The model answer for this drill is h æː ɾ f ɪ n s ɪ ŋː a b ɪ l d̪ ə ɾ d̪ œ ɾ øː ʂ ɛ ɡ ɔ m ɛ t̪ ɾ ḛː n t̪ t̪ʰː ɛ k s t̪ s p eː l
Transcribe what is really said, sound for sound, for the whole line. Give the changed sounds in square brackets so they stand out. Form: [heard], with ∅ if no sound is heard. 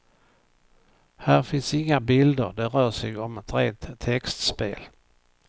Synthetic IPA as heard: h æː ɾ f ɪ n s ɪ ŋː a b ɪ l d̪ ə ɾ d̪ [ɛ] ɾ [œː] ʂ ɛ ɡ ɔ m ɛ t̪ ɾ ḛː n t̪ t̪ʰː ɛ k s t̪ s p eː l